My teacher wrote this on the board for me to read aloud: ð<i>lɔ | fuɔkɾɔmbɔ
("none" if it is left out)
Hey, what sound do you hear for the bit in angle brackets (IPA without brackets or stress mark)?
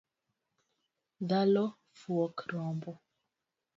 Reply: a